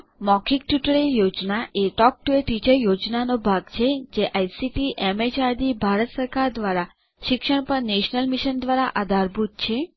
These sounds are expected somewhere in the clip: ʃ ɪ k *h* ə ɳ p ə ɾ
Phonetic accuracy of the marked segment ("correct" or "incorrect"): incorrect